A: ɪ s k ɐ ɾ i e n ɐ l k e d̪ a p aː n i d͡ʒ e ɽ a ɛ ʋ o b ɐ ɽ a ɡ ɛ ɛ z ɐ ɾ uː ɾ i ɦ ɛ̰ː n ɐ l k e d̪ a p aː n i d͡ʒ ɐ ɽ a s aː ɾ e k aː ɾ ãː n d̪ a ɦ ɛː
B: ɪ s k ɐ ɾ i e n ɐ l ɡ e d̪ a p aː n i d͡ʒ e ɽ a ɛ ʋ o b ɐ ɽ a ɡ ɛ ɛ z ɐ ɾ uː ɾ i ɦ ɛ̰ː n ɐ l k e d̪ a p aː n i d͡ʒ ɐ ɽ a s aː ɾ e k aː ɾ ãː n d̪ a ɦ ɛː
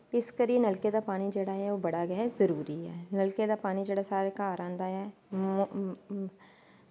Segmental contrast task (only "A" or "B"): A